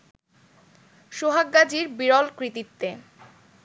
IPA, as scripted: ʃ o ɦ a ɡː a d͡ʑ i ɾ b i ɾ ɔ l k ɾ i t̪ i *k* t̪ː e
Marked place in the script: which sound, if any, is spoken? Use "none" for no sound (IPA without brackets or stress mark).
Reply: none